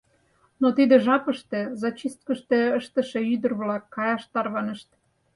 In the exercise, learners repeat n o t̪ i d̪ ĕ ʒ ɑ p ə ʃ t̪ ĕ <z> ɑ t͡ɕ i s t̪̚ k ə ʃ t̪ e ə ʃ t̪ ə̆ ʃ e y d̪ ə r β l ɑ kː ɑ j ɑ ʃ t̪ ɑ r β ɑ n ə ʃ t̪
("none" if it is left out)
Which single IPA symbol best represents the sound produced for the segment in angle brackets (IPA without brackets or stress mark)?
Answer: z